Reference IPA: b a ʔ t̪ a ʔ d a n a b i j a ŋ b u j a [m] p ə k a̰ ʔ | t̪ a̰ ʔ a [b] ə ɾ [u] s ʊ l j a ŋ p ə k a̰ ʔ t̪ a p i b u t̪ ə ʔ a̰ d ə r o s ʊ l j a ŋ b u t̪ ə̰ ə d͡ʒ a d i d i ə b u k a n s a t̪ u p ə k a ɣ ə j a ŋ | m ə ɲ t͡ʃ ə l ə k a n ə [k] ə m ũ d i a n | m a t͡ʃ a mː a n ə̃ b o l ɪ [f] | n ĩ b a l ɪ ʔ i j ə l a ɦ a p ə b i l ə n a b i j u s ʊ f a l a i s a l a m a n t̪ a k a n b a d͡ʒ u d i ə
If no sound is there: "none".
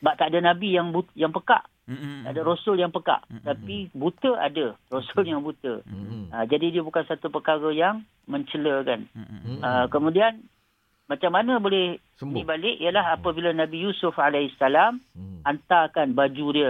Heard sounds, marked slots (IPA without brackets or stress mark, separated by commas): ŋ, d, o, k, h